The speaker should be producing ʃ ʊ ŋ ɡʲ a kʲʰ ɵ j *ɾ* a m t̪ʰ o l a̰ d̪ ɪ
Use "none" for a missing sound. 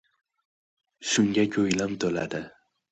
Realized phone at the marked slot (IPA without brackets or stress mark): l